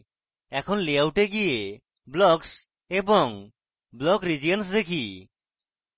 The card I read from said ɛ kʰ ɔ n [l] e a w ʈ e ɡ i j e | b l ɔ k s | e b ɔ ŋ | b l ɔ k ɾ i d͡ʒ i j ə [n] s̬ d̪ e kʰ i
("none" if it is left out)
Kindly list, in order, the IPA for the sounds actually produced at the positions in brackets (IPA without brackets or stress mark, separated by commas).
l, n